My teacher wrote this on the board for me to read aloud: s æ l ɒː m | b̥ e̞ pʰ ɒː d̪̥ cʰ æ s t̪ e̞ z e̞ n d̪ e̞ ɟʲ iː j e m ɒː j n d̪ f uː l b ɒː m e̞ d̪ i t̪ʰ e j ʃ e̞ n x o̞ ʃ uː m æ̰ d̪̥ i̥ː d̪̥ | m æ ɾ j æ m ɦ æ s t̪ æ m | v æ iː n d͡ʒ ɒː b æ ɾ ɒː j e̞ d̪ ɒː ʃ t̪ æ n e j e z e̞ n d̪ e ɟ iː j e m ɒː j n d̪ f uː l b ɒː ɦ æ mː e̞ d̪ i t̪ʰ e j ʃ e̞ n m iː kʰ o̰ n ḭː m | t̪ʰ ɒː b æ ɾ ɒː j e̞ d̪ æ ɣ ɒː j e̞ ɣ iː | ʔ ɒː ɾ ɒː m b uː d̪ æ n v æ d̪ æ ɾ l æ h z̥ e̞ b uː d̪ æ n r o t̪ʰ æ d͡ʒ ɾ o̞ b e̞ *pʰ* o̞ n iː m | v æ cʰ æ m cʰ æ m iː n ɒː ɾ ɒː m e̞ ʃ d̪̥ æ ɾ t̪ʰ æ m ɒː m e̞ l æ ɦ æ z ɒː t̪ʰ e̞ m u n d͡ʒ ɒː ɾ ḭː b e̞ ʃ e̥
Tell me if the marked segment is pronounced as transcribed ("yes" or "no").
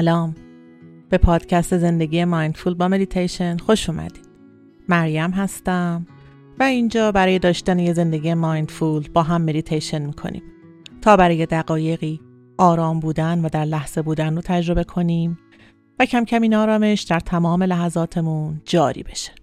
no